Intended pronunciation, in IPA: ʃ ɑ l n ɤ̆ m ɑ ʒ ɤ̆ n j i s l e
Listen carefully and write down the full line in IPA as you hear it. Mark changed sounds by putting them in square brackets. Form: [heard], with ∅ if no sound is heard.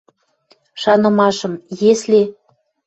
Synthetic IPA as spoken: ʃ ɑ [∅] n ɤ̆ m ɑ [ʃ] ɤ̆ [m] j [e] s l e